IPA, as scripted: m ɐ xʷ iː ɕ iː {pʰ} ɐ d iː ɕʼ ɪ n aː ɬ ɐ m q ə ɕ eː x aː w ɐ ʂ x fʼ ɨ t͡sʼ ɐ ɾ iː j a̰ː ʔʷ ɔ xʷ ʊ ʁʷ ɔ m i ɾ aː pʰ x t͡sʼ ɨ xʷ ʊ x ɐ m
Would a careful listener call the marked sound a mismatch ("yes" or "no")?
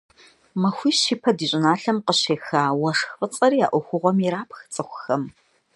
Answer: no